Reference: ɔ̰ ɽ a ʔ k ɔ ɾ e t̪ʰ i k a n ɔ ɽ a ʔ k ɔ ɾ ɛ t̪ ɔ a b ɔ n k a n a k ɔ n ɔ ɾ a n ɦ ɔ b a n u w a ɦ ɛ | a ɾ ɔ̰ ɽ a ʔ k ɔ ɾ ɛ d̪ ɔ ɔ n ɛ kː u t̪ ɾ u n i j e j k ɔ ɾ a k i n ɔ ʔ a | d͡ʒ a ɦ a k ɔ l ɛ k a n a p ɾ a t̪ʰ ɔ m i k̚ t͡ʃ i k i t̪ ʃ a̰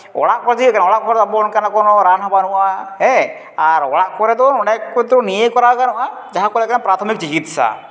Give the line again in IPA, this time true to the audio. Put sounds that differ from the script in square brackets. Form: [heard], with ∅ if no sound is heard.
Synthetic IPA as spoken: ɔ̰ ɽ a ʔ k ɔ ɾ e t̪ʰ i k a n ɔ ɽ a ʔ k ɔ ɾ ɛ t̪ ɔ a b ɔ n k a n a k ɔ n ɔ ɾ a n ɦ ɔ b a n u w a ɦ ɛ | a ɾ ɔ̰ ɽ a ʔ k ɔ ɾ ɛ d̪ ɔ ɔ n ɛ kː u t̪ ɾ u n i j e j k ɔ ɾ a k [a] n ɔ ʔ a | d͡ʒ a ɦ a k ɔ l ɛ k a n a p ɾ a t̪ʰ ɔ m i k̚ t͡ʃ i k i t̪ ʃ a̰